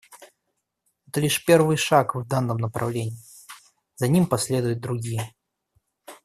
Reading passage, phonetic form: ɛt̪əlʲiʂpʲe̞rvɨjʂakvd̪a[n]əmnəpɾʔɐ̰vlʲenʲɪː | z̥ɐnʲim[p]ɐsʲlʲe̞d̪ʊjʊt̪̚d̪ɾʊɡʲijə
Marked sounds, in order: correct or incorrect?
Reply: incorrect: nː, correct

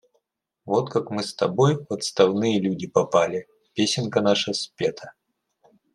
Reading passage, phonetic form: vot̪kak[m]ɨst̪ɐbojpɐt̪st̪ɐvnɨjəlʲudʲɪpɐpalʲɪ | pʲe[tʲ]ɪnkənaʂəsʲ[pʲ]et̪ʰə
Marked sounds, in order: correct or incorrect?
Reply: correct, incorrect: sʲ, correct

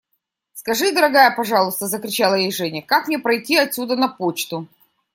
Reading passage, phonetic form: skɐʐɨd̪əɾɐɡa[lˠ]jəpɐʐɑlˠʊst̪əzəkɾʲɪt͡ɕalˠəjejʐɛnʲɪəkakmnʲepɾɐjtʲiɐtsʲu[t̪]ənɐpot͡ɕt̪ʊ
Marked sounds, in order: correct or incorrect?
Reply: incorrect: none, incorrect: d̪

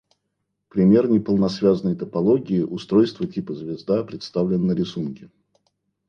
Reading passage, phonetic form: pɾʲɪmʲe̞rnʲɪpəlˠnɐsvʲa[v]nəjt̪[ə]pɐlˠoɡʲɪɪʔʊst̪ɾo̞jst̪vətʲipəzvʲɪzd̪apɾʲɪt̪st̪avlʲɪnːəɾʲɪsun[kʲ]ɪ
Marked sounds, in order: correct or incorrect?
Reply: incorrect: z, correct, correct

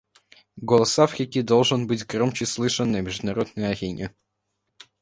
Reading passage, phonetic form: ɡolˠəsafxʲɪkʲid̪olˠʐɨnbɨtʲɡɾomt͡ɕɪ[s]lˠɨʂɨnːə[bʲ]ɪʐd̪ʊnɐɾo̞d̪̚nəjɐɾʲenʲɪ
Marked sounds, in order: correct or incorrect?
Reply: correct, incorrect: mʲ

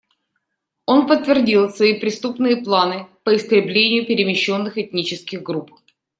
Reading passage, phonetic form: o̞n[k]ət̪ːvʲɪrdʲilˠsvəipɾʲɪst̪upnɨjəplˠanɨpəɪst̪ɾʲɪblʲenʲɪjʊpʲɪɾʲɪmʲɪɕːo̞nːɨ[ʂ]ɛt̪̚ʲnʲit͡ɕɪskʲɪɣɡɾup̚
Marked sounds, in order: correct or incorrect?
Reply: incorrect: p, incorrect: x

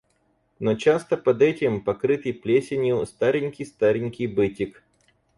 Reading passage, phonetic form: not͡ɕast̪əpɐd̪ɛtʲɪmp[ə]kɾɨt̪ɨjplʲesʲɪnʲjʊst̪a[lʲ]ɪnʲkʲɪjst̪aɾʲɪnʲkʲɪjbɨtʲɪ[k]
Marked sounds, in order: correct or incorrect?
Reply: incorrect: ɐ, incorrect: ɾʲ, correct

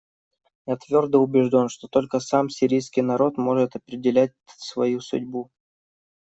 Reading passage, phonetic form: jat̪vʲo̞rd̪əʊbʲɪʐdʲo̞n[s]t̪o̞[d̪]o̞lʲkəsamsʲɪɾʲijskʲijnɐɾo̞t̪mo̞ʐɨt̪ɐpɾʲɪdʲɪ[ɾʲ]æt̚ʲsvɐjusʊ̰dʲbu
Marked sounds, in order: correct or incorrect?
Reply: incorrect: ʂ, incorrect: t̪, incorrect: lʲ

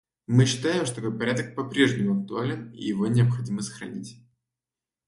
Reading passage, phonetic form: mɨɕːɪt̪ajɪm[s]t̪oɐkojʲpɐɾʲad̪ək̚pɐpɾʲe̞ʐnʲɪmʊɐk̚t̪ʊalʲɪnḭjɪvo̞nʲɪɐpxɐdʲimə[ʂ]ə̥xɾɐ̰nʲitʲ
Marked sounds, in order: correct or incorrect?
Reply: incorrect: ʂ, incorrect: s

